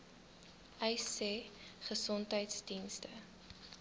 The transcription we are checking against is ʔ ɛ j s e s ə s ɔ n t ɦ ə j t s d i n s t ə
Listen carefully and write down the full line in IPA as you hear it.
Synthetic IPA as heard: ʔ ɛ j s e χ ə s ɔ n t ɦ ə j t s d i n s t ə